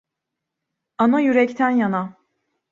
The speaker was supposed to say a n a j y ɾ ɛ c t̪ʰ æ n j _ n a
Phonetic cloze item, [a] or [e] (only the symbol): a